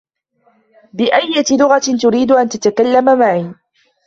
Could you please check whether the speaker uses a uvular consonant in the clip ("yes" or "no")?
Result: no